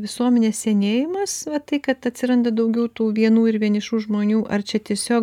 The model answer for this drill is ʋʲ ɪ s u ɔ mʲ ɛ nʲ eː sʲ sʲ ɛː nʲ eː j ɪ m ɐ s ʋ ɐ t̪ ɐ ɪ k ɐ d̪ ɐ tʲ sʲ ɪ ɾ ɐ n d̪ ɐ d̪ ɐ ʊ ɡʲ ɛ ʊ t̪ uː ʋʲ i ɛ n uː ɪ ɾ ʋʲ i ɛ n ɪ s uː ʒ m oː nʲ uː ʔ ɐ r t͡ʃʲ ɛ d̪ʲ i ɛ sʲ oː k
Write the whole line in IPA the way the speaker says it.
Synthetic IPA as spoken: ʋʲ ɪ s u ɔ mʲ ɛ nʲ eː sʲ sʲ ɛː nʲ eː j ɪ m ɐ s ʋ ɐ t̪ ɐ ɪ k ɐ t̪ ɐ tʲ sʲ ɪ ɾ ɐ n d̪ ɐ d̪ ɐ ʊ ɡʲ ɛ ʊ t̪ uː ʋʲ i ɛ n uː ɪ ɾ ʋʲ i ɛ n ɪ ʃ uː ʒ m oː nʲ uː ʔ ɐ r t͡ʃʲ ɛ t̪ʲ i ɛ sʲ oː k